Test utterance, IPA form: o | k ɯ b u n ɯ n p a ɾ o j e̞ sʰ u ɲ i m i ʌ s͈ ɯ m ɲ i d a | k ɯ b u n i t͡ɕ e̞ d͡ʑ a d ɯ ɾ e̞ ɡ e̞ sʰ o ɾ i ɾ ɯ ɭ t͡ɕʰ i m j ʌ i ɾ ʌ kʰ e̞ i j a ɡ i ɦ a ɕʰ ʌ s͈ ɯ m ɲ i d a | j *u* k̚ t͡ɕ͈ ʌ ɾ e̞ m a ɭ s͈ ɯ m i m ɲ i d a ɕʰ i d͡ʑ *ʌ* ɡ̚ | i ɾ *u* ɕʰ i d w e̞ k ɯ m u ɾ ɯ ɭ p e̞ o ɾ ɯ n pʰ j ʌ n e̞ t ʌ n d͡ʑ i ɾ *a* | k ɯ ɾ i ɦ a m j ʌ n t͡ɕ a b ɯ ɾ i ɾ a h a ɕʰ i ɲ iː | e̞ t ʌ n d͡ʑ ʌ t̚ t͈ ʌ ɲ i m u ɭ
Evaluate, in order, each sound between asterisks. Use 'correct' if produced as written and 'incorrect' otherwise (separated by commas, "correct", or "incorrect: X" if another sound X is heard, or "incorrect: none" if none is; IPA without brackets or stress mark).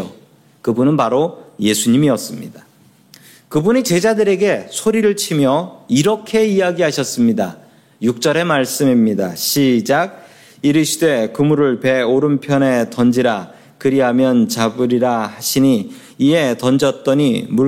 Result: correct, incorrect: a, incorrect: ɯ, correct